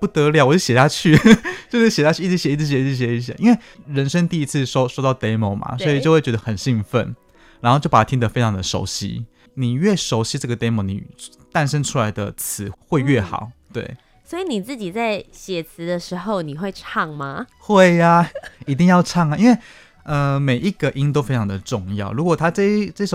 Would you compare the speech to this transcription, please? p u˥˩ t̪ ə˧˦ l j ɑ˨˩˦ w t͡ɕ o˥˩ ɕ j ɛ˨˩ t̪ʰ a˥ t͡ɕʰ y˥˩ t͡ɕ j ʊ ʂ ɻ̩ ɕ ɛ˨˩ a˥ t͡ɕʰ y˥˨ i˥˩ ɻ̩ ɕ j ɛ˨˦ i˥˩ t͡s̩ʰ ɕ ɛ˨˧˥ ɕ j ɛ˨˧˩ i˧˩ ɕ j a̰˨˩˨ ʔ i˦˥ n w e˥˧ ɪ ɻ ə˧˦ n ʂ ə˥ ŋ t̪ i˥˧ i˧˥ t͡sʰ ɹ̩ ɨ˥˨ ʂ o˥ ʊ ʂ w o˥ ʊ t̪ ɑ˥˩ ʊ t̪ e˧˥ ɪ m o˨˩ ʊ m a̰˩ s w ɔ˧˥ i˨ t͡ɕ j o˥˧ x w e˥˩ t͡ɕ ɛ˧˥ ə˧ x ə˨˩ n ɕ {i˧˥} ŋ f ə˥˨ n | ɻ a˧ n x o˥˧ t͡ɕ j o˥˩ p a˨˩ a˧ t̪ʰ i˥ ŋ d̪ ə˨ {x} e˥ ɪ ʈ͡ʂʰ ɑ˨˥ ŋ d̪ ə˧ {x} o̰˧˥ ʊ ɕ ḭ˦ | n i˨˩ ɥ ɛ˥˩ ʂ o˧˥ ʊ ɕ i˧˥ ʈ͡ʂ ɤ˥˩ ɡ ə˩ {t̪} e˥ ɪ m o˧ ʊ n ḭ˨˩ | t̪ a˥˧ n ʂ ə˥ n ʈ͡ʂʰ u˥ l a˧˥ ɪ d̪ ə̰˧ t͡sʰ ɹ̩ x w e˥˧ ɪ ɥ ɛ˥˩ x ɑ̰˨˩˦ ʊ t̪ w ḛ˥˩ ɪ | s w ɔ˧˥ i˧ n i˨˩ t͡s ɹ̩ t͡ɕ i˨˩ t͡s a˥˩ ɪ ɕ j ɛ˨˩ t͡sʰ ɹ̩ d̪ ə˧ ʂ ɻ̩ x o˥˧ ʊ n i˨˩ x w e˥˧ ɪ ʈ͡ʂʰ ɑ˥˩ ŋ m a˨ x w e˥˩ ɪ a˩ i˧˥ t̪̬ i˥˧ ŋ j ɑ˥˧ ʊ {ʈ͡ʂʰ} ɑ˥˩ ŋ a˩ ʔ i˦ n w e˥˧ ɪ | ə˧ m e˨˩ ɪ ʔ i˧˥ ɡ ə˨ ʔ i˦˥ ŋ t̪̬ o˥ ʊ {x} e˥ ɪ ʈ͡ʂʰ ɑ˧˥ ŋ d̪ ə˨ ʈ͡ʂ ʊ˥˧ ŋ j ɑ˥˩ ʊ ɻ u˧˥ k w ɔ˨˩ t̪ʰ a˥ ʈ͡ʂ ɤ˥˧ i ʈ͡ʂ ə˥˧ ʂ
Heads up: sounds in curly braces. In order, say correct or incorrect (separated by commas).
incorrect, incorrect, incorrect, correct, correct, incorrect